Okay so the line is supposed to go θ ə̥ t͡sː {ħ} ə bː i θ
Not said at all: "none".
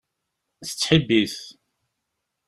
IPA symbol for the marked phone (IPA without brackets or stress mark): ħ